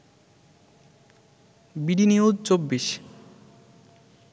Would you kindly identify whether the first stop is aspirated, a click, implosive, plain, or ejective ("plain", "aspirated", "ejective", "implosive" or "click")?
plain